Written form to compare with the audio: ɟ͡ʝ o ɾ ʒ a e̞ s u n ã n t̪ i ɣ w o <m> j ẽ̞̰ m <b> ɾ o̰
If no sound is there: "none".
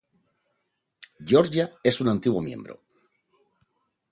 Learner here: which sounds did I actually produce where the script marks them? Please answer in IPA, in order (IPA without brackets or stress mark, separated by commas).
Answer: m, b